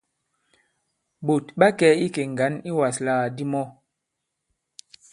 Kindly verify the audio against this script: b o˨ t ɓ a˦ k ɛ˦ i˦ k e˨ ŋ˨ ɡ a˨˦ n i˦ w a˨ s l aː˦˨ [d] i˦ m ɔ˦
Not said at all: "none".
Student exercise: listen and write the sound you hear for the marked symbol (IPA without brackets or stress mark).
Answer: d